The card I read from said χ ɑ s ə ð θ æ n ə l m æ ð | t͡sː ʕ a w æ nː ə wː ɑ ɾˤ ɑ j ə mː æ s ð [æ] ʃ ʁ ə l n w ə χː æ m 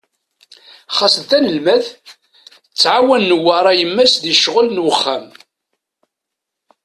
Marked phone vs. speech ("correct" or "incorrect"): incorrect